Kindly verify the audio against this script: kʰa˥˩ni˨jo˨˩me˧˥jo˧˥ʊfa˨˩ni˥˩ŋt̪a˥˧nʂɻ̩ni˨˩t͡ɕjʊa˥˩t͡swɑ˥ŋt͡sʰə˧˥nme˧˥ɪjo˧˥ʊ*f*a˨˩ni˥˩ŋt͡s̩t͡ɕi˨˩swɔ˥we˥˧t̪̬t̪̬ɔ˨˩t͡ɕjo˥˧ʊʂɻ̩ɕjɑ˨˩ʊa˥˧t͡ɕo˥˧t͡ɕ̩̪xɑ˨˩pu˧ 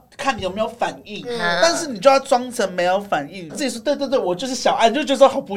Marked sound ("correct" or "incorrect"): correct